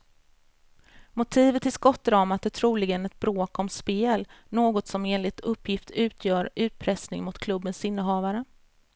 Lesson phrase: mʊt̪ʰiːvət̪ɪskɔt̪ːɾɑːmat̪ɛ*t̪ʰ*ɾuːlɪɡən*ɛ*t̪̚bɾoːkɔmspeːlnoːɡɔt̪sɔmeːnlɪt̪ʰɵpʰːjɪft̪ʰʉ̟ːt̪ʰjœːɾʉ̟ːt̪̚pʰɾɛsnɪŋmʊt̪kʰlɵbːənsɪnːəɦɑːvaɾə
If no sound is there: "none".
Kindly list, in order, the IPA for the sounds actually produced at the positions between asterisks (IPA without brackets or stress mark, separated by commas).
t̪ʰ, ɛ